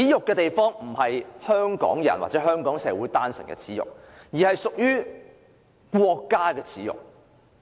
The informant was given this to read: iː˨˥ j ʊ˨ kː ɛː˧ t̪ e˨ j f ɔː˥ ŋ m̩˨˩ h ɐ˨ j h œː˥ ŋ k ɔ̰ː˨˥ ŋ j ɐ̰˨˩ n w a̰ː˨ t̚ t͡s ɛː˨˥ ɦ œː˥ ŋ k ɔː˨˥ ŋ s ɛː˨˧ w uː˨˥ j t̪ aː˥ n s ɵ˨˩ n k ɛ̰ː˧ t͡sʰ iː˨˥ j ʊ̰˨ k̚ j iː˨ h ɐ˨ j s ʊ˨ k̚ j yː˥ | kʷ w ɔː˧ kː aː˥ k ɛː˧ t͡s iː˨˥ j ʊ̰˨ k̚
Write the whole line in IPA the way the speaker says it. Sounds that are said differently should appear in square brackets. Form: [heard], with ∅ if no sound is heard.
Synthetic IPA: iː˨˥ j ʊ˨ kː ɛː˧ t̪ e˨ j f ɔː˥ ŋ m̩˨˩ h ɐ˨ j h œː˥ ŋ k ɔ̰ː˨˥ ŋ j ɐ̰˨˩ n w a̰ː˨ t̚ t͡s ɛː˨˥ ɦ œː˥ ŋ k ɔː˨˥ ŋ s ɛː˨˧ w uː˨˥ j t̪ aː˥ n s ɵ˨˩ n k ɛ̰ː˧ t͡sʰ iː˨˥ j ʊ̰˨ k̚ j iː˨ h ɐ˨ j s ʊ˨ k̚ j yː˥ | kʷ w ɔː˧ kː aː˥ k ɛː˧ [t͡sʰ] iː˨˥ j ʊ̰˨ k̚

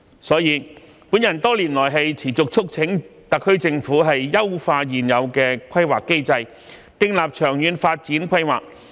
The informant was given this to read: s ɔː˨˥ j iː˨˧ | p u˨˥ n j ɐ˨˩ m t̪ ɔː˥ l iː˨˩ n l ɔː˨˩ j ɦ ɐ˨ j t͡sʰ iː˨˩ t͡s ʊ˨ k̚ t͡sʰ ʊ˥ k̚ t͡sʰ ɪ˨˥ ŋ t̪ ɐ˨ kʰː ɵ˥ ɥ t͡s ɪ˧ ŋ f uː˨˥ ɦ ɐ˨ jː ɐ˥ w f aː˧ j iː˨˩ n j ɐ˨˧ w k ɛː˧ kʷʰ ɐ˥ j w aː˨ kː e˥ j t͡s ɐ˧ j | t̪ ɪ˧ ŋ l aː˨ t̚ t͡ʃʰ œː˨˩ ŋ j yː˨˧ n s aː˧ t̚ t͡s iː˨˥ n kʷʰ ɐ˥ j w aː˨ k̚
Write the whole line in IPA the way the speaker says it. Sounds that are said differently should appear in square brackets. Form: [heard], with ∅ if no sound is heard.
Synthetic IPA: s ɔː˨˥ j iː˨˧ | p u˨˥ n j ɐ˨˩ [n] t̪ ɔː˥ l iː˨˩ n l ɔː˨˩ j ɦ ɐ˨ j t͡sʰ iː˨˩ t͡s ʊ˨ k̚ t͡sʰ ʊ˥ k̚ t͡sʰ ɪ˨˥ ŋ t̪ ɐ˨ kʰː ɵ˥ ɥ t͡s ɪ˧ ŋ f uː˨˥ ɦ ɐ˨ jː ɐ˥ w f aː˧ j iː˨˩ n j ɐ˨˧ w k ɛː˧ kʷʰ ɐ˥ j w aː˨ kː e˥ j t͡s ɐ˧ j | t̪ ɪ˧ ŋ l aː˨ [p̚] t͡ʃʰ œː˨˩ ŋ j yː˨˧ n [f] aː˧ t̚ t͡s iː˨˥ n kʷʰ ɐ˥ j w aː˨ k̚

